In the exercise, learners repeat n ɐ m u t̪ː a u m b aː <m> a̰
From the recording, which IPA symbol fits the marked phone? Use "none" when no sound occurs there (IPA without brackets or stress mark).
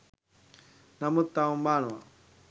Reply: n